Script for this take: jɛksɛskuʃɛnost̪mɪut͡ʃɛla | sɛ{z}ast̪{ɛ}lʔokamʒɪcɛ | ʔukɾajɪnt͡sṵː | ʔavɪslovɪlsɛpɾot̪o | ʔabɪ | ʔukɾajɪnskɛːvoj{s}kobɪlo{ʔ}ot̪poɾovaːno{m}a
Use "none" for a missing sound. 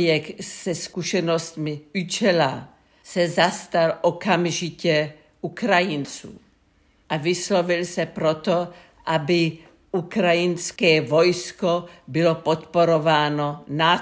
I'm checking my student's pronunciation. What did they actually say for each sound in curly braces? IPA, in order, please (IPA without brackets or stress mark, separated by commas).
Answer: z, a, s, p, n